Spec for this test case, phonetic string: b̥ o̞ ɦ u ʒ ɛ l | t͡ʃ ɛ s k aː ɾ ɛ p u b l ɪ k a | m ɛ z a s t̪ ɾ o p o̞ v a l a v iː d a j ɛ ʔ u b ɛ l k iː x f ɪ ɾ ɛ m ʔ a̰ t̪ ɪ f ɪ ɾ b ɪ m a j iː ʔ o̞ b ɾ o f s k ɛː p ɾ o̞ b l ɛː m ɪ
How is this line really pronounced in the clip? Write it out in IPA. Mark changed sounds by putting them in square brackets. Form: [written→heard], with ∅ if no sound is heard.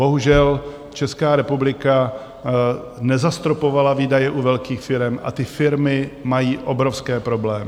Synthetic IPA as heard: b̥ o̞ ɦ u ʒ ɛ l | t͡ʃ ɛ s k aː ɾ ɛ p u b l ɪ k a | [m→n] ɛ z a s t̪ ɾ o p o̞ v a l a v iː d a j ɛ ʔ u [b→v] ɛ l k iː x f ɪ ɾ ɛ m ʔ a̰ t̪ ɪ f ɪ ɾ [b→m] ɪ m a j iː ʔ o̞ b ɾ o f s k ɛː p ɾ o̞ b l ɛː m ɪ